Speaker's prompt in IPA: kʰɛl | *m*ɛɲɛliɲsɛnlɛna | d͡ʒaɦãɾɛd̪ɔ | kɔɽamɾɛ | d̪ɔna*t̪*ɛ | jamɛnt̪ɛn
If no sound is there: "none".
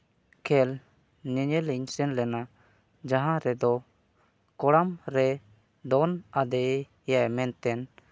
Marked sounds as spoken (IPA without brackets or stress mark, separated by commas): ɲ, d̪